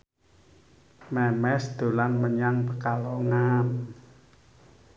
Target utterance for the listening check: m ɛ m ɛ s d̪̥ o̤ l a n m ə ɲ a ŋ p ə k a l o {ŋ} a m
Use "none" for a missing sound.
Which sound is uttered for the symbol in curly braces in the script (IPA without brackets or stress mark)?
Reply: ŋ